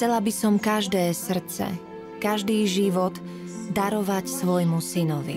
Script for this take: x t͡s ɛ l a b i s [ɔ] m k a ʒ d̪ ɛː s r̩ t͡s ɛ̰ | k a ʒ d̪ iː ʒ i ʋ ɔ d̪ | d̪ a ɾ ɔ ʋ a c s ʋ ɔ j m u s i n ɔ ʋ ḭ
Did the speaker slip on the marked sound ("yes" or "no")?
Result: no